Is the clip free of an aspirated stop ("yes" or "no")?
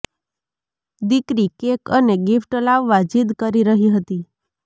yes